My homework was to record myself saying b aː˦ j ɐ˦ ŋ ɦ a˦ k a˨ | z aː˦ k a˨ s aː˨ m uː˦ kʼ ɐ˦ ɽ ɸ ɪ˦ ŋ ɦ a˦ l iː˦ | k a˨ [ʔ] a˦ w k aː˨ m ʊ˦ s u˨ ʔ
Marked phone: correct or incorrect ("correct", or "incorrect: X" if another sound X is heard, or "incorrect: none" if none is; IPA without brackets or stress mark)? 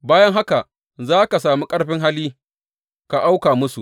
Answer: correct